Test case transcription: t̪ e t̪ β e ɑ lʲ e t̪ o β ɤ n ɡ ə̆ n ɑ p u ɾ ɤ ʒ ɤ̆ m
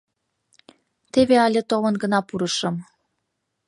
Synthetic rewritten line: t̪ e β e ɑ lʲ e t̪ o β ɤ n ɡ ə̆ n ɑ p u ɾ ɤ ʃ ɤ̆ m